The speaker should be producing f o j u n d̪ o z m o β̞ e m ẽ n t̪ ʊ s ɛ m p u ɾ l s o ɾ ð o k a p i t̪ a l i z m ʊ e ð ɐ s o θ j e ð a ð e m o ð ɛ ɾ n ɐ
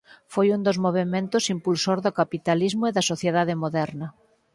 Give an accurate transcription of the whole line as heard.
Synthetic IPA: f o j u n d̪ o z m o β̞ e m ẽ n t̪ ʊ s i m p u l s o ɾ ð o k a p i t̪ a l i z m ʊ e ð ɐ s o θ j e ð a ð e m o ð ɛ ɾ n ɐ